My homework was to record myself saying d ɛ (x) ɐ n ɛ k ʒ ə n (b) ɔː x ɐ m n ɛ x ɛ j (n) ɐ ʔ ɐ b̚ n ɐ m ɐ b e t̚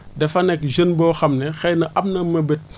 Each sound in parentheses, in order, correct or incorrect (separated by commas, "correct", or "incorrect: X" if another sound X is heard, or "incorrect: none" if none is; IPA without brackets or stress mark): incorrect: f, correct, correct